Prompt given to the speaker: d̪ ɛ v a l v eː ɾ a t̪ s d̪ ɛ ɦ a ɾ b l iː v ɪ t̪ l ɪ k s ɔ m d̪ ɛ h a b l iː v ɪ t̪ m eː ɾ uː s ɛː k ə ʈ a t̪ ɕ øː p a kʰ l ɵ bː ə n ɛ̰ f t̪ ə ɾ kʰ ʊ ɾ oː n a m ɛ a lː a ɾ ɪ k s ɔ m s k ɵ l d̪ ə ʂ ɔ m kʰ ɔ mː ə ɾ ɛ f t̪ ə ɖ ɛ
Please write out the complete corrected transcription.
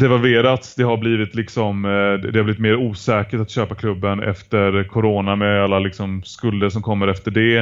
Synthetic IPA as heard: d̪ ɛ v a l v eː ɾ a t̪ s d̪ ɛ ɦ a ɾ b l iː v ɪ t̪ l ɪ k s ɔ m d̪ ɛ h a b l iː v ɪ t̪ m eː ɾ uː s ɛː k ə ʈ a t̪ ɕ øː p a kʰ l ɵ bː ə n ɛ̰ f t̪ ə ɾ kʰ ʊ ɾ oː n a m ɛ a lː a l ɪ k s ɔ m s k ɵ l d̪ ə ʂ ɔ m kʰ ɔ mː ə ɾ ɛ f t̪ ə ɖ ɛ